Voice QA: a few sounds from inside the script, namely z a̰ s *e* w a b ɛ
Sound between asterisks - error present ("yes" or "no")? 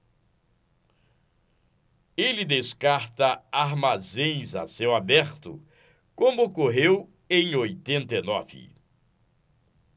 no